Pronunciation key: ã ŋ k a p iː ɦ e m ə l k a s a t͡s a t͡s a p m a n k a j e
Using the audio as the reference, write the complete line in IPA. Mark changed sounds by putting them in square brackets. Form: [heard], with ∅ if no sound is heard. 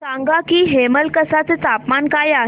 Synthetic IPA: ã ŋ [ɡ] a [k] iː ɦ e m ə l k [ə] s a t͡s [e] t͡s a p m a n k a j [a]